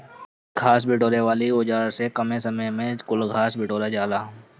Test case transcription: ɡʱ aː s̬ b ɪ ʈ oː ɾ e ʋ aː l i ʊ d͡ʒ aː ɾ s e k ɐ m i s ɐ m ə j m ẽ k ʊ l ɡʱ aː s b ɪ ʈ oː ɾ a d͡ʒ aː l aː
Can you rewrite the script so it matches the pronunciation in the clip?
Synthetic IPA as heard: ɡʱ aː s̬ b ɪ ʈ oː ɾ e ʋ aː l i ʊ d͡ʒ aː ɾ s e k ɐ m e s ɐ m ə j m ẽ k ʊ l ɡʱ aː s b ɪ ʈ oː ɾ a d͡ʒ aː l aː